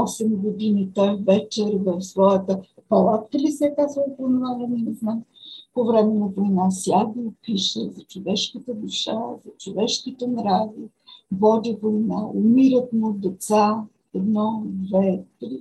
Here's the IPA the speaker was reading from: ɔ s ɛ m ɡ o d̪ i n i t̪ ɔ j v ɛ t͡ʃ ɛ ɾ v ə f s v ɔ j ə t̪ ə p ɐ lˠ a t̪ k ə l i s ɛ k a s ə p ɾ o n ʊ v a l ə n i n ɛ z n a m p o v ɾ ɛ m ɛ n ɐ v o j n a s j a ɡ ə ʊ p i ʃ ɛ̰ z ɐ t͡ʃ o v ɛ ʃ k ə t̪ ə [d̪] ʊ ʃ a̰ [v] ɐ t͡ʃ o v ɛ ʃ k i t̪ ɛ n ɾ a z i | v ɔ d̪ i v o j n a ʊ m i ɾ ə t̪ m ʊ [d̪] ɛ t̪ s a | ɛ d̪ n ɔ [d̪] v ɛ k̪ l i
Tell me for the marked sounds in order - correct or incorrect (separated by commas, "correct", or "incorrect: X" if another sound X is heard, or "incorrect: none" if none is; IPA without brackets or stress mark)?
correct, incorrect: z, correct, correct